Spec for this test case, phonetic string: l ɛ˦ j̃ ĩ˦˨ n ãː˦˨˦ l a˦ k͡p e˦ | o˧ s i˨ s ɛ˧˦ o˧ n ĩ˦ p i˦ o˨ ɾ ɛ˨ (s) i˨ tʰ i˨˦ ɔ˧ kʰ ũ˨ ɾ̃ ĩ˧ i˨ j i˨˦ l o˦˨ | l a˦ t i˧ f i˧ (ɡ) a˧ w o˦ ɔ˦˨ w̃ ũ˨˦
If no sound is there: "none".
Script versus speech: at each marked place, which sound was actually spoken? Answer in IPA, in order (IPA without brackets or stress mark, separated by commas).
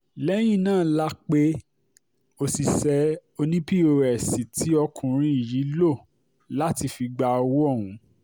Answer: s, ɡ͡b